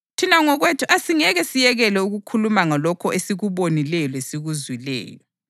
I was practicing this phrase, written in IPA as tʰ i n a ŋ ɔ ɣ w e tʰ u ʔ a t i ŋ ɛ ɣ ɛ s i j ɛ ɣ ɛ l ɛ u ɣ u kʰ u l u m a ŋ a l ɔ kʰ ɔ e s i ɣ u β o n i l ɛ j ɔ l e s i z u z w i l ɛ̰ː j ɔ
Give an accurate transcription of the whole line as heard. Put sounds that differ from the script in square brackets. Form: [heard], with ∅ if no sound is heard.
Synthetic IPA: tʰ i n a ŋ ɔ ɣ w e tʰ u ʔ a [s] i ŋ ɛ ɣ ɛ s i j ɛ ɣ ɛ l ɛ u ɣ u kʰ u l u m a ŋ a l ɔ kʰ ɔ e s i ɣ u β o n i l ɛ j ɔ l e s i [ɣ] u z w i l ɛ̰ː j ɔ